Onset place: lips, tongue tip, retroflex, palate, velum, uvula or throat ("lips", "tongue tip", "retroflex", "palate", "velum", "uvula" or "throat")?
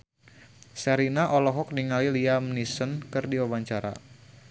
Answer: tongue tip